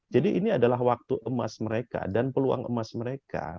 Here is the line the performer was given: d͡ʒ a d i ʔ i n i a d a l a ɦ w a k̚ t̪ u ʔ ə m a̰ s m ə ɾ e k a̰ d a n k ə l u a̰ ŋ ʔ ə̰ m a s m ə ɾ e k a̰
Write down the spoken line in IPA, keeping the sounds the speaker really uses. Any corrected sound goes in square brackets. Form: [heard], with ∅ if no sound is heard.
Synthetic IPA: d͡ʒ a d i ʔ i n i a d a l a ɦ w a k̚ t̪ u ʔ ə m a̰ s m ə ɾ e k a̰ d a n [p] ə l u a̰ ŋ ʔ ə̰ m a s m ə ɾ e k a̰